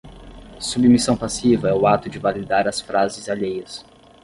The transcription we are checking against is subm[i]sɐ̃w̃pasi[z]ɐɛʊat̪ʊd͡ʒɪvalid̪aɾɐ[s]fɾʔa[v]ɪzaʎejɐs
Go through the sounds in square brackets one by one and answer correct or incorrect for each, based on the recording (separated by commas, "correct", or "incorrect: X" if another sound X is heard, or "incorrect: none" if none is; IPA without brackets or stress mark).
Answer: correct, incorrect: v, correct, incorrect: z